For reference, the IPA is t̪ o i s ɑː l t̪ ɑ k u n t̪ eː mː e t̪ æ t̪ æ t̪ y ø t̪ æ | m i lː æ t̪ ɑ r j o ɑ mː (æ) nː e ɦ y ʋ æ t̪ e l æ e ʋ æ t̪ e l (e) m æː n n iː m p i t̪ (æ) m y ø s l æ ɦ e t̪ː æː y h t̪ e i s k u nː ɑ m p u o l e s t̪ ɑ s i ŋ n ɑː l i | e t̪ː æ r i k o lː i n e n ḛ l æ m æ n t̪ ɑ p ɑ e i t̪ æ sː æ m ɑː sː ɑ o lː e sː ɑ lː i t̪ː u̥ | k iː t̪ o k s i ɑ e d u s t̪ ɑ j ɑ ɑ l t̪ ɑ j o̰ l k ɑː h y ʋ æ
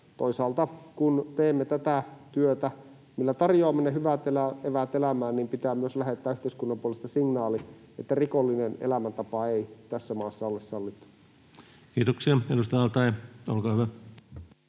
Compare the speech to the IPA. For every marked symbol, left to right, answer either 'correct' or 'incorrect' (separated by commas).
incorrect, incorrect, incorrect